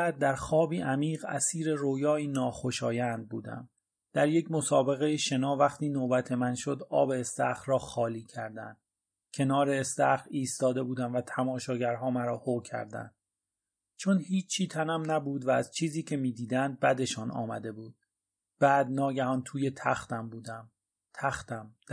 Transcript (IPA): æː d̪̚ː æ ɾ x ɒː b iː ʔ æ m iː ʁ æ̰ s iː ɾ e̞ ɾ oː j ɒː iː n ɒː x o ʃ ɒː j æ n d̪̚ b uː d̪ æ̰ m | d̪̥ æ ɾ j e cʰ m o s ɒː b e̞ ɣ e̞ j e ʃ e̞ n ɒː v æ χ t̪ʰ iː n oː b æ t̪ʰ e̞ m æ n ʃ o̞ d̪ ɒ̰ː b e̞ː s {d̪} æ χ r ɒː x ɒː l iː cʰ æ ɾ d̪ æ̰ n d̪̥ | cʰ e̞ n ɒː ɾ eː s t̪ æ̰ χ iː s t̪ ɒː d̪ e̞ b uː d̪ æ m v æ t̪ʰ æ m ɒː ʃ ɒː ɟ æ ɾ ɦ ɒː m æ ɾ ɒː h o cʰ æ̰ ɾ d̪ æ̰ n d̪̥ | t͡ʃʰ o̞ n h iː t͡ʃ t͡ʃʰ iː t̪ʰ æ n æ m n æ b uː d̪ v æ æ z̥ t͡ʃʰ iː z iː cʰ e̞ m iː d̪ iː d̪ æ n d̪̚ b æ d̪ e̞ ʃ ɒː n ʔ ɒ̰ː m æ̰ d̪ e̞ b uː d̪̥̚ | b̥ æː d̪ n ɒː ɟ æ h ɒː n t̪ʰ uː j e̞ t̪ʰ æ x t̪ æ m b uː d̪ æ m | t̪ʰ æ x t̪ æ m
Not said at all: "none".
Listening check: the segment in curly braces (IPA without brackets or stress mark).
t̪